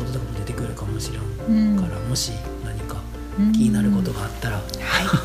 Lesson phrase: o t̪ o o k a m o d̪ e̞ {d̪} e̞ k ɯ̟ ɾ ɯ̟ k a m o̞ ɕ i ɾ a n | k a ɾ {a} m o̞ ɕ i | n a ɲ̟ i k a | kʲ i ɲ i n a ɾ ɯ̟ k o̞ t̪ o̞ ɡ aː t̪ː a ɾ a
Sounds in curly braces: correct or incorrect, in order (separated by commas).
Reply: incorrect, correct